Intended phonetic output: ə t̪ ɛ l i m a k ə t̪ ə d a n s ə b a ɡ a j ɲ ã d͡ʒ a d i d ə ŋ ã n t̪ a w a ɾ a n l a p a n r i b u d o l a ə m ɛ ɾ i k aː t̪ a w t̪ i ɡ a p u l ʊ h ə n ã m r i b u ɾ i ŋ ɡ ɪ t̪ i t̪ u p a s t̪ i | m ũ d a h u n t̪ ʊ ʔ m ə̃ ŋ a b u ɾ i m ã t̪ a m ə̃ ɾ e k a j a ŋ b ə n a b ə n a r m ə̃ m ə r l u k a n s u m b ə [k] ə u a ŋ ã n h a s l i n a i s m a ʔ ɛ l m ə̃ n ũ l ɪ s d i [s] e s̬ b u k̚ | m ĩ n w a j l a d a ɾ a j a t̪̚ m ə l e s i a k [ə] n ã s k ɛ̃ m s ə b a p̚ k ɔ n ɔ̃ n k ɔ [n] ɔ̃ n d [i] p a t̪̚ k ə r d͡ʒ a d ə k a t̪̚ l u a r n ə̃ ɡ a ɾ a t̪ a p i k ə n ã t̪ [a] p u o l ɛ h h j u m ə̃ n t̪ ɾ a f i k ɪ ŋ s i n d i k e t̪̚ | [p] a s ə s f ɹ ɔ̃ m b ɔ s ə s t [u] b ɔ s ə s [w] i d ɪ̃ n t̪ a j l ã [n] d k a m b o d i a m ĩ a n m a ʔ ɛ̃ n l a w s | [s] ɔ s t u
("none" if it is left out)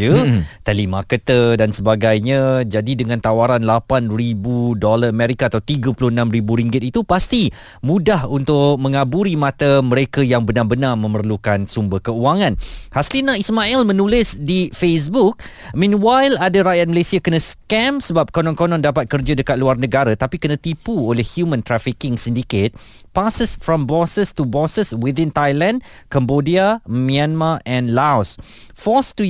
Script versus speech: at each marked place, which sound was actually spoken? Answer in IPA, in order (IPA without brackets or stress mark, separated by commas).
k, f, ə, n, a, i, p, u, w, n, f